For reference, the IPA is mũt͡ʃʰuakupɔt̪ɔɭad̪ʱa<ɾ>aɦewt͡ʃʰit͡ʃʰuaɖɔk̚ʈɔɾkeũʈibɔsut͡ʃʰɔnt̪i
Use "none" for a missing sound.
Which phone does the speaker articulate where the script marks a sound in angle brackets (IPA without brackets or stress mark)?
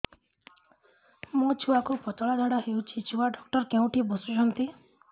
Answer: ɽ